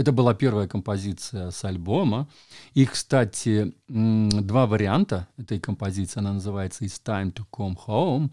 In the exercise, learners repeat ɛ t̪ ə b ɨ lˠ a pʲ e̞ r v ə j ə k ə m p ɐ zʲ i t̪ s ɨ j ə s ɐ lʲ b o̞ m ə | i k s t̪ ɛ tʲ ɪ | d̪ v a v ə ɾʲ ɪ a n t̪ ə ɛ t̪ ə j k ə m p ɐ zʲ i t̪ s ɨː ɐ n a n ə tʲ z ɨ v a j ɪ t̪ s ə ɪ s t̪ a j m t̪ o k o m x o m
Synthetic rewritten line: ɛ t̪ ə b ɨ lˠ a pʲ e̞ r v ə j ə k ə m p ɐ zʲ i t̪ s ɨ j ə s ɐ lʲ b o̞ m ə | i k s t̪ a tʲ ɪ | d̪ v a v ə ɾʲ ɪ a n t̪ ə ɛ t̪ ə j k ə m p ɐ zʲ i t̪ s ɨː ɐ n a n ə z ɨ v a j ɪ t̪ s ə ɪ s t̪ a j m t̪ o k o m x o m